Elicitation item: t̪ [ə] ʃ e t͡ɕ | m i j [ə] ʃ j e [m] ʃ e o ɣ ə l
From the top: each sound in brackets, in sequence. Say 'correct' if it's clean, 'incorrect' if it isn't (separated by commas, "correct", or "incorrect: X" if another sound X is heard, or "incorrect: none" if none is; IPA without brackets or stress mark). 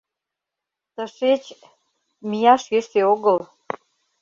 correct, incorrect: ɑ, incorrect: none